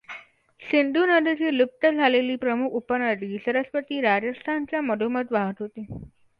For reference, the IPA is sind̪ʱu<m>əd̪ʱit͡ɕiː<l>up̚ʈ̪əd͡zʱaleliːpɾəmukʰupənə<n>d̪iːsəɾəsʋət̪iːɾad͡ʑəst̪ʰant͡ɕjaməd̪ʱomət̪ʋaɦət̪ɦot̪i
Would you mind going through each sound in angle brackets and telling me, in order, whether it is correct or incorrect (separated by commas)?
incorrect, correct, incorrect